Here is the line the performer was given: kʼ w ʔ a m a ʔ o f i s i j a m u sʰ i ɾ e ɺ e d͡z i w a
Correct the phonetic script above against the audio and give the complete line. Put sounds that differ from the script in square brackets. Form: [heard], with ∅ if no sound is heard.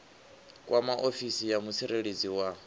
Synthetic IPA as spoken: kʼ w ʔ a m a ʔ o f i s i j a m u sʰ i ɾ e ɺ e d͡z i w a